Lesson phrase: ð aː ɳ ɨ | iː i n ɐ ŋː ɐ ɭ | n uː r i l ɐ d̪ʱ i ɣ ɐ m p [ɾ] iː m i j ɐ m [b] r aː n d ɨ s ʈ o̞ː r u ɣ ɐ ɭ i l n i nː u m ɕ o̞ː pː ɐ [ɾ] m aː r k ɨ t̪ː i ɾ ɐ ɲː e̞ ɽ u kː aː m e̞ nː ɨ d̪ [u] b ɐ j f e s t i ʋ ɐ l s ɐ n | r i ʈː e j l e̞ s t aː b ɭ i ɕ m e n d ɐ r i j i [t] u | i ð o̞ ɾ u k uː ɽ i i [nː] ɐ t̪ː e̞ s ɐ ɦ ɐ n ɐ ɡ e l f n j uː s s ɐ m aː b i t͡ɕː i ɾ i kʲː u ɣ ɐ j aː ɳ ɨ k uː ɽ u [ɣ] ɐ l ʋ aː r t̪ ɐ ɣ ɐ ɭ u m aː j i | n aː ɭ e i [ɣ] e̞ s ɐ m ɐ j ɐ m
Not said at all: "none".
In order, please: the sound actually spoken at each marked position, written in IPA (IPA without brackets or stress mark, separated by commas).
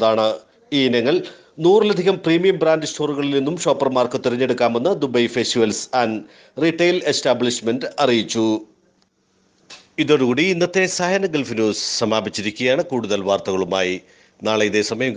r, b, r, u, t͡ɕː, nː, ð, ð